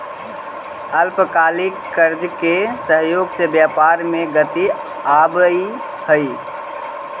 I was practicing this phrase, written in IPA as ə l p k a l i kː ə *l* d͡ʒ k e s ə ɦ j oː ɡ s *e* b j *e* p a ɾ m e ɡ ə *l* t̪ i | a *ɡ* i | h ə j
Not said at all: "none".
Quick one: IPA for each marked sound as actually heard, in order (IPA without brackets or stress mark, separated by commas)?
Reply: ɾ, e, a, none, b